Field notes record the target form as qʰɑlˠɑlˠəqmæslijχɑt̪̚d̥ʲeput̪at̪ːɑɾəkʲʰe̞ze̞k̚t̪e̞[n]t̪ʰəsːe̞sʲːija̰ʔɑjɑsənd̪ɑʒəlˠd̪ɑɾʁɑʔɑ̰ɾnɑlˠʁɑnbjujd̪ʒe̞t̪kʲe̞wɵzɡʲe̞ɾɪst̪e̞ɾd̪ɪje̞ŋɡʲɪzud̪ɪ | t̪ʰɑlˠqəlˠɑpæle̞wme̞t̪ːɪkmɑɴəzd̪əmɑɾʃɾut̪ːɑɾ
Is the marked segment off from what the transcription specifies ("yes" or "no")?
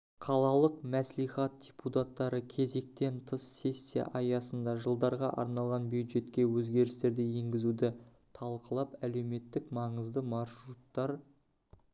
no